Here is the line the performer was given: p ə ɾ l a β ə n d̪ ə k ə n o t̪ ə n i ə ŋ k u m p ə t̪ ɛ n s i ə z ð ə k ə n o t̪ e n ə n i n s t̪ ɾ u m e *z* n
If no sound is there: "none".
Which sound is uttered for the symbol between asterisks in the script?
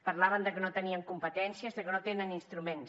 none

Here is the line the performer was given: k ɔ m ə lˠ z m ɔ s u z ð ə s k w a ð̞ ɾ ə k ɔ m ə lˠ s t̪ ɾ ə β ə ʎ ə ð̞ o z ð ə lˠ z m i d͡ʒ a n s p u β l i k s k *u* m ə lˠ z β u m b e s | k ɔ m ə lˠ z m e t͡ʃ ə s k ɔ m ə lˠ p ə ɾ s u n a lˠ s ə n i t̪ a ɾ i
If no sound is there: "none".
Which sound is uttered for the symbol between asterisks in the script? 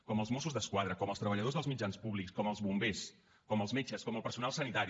ɔ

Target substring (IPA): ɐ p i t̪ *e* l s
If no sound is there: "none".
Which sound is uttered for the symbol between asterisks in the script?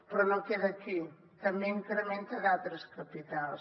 a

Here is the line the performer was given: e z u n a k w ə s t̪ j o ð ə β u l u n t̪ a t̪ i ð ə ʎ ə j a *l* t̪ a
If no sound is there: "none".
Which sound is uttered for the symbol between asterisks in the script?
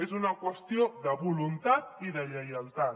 l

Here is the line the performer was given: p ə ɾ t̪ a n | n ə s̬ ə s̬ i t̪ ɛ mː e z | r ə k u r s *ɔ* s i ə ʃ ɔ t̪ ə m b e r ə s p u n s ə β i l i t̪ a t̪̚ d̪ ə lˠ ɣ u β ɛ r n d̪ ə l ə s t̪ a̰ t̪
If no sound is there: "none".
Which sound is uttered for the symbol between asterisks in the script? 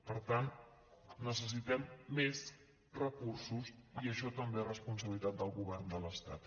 u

